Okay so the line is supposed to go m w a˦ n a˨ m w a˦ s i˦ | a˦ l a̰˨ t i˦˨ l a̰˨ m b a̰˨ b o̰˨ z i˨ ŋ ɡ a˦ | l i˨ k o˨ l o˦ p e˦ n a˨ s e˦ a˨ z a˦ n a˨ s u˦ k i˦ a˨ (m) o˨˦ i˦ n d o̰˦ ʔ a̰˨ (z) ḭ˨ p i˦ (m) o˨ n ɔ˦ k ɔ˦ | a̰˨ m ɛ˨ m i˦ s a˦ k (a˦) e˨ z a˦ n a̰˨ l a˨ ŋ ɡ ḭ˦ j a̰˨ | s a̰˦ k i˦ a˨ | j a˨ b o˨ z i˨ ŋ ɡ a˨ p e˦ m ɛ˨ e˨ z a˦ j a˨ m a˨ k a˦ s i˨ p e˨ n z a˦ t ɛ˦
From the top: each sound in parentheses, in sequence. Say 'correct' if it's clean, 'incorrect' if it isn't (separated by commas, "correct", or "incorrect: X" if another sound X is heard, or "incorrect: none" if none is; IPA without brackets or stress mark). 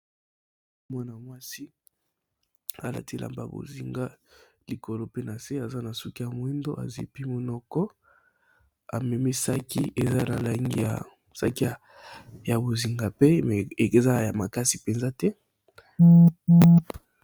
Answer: correct, correct, correct, incorrect: i˦